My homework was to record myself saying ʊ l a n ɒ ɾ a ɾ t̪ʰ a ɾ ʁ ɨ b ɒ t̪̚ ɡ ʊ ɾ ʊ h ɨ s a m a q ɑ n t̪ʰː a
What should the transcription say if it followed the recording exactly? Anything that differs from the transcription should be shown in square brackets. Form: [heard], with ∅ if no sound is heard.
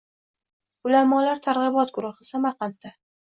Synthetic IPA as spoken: ʊ l a [m] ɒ [l] a ɾ t̪ʰ a ɾ ʁ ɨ b ɒ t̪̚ ɡ ʊ ɾ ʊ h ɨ s a m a q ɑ n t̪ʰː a